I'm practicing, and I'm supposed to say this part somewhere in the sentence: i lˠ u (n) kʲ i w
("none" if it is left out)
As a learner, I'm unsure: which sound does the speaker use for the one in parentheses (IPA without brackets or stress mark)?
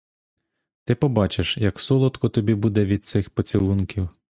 n